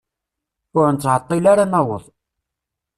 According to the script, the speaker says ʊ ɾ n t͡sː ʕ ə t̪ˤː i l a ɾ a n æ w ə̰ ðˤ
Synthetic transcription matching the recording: ʊ ɾ n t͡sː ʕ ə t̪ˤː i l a ɾ a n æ w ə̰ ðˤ